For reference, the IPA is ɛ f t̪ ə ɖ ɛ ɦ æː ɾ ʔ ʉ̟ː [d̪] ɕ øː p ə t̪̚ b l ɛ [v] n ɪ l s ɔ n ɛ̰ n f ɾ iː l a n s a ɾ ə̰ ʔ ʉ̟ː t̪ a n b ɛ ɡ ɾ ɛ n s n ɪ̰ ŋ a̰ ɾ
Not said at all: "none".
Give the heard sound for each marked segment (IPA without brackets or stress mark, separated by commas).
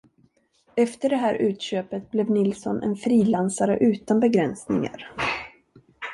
t̪, v